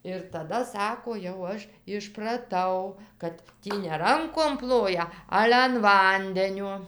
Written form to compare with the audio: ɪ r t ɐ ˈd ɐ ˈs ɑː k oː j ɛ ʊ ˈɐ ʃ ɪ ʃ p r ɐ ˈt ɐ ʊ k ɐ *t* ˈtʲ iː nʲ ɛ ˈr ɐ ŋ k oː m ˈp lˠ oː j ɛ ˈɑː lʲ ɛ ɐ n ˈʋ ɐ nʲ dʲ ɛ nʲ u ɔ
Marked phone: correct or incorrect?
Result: correct